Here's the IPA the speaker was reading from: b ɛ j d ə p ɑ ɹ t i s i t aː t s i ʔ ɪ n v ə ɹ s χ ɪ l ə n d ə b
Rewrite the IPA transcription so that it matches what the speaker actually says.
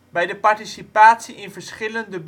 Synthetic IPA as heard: b ɛ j d ə p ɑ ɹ t i s i p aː t s i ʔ ɪ n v ə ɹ s χ ɪ l ə n d ə b